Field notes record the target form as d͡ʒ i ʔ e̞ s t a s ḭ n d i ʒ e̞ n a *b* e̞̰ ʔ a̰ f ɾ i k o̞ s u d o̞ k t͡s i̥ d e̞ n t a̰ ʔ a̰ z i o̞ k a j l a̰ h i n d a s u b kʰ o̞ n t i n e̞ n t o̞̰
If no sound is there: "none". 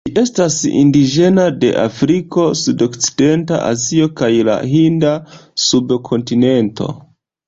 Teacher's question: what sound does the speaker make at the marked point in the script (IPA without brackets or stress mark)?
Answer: d